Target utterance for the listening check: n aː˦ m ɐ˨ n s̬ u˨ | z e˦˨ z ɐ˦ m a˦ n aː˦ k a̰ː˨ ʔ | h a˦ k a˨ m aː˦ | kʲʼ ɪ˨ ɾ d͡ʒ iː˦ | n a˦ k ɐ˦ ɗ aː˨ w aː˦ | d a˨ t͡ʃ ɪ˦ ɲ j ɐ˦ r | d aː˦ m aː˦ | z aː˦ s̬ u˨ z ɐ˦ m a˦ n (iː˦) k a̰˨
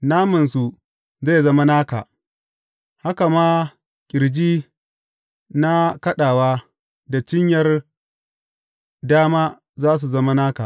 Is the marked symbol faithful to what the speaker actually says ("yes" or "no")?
no